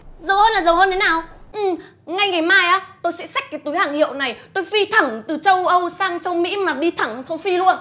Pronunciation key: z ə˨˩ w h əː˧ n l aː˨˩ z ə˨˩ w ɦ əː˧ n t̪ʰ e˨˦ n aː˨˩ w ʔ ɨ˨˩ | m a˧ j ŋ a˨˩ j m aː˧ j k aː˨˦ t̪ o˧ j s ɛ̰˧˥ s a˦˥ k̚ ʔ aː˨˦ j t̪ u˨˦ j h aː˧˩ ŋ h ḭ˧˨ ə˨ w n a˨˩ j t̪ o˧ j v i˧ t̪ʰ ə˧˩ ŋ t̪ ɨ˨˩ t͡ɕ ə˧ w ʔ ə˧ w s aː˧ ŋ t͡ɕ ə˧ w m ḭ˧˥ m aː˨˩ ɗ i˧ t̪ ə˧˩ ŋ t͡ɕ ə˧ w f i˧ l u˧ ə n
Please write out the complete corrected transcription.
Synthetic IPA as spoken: z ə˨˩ w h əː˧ n l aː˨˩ z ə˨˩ w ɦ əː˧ n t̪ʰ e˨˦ n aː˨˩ w ʔ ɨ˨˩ | ŋ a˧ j ŋ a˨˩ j m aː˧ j ʔ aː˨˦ t̪ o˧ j s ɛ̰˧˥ s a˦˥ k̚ k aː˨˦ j t̪ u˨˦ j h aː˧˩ ŋ h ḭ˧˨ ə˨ w n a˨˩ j t̪ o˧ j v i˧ t̪ʰ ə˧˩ ŋ t̪ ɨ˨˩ t͡ɕ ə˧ w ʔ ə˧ w s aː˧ ŋ t͡ɕ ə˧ w m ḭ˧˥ m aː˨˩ ɗ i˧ t̪ʰ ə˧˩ ŋ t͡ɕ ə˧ w f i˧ l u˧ ə n